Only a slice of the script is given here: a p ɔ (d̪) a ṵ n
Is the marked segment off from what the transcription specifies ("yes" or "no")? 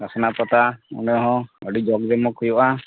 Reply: yes